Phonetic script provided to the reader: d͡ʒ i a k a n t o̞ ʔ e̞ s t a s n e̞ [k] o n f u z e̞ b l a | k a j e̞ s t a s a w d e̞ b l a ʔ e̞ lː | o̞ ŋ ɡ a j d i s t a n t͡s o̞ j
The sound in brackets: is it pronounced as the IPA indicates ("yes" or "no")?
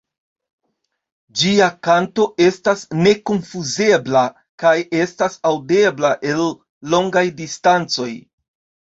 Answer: yes